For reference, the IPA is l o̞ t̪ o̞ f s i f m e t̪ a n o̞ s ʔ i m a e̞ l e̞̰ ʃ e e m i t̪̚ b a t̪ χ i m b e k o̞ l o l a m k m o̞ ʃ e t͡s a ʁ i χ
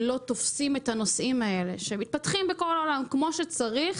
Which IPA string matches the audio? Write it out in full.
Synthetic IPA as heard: l o̞ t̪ o̞ f s i m e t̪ a n o̞ s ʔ i m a e̞ l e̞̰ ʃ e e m i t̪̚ p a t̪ χ i m b e k o̞ l o l a m k m o̞ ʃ e t͡s a ʁ i χ